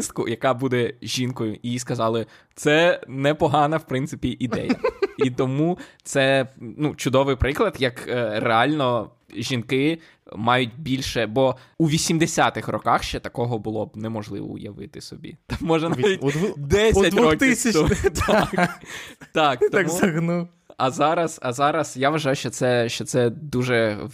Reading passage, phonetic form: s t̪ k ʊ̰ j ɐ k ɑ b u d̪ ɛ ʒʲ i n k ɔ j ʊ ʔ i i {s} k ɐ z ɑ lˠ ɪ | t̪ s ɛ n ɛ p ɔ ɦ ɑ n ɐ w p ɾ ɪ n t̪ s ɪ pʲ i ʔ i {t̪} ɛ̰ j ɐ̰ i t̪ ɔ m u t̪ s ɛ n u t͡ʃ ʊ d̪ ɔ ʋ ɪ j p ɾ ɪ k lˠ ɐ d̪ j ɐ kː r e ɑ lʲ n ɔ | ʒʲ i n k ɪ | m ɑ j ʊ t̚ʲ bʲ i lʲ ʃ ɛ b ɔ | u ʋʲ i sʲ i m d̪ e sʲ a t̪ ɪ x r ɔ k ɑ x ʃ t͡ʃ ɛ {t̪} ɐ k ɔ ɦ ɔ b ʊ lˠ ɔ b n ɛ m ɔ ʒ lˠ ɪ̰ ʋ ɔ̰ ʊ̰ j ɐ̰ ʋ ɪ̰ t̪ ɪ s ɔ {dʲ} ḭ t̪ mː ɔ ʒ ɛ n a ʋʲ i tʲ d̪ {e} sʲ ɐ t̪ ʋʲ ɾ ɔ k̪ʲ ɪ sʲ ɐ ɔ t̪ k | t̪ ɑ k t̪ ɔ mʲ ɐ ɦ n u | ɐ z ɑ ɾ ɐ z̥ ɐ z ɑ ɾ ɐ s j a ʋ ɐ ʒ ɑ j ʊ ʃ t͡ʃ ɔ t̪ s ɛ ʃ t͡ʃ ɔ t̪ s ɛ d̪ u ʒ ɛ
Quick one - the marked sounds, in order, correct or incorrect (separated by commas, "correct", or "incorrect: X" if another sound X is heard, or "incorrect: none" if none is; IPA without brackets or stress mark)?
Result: correct, incorrect: d̪, correct, incorrect: bʲ, incorrect: ɛ